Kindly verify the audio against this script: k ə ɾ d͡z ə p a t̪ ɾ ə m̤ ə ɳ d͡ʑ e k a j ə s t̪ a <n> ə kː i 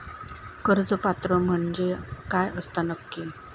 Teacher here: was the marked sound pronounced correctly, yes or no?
yes